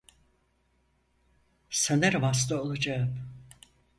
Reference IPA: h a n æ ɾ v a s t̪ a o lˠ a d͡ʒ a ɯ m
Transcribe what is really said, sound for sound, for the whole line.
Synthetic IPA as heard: s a n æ ɾ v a s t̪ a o lˠ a d͡ʒ a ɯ m